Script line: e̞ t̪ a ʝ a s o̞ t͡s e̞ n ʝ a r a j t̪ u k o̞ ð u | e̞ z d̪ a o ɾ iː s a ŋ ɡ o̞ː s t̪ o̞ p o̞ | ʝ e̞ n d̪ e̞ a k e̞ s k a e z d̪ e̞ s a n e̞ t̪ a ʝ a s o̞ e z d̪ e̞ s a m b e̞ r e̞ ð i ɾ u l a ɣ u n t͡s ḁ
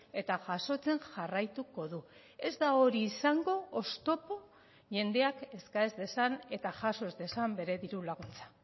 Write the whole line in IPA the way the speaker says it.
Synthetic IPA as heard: e̞ t̪ a ʝ a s o̞ t͡s e̞ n ʝ a r a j t̪ u k o̞ ð u | e̞ z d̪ a o ɾ iː s a ŋ ɡ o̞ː s t̪ o̞ p o̞ | ʝ e̞ n d̪ e̞ a k e̞ s k a e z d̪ e̞ s a n e̞ t̪ a ʝ a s o̞ e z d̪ e̞ s a m b e̞ ɾ e̞ ð i ɾ u l a ɣ u n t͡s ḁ